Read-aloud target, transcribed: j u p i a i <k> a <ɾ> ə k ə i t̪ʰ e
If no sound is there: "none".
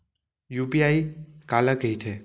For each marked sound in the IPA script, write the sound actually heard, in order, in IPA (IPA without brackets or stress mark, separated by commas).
k, l